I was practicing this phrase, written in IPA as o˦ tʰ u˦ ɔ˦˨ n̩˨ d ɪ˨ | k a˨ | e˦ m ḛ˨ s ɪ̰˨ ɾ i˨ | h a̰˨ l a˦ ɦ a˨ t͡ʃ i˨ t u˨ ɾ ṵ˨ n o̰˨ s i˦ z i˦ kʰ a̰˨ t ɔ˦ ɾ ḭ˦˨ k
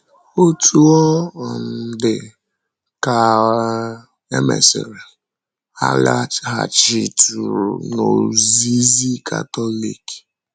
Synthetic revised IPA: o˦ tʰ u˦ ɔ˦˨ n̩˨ d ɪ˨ | k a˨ | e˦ m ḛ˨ s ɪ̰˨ ɾ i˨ | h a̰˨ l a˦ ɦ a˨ t͡ʃ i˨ t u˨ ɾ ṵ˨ n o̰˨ z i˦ z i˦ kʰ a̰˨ t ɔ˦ l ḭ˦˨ k